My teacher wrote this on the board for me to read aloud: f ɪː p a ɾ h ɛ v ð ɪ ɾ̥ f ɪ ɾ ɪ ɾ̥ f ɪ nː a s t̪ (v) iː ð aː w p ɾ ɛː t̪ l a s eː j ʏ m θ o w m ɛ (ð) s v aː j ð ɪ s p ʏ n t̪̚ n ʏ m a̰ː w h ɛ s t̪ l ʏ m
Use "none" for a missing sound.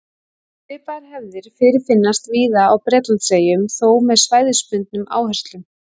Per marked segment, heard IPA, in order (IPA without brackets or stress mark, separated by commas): v, ð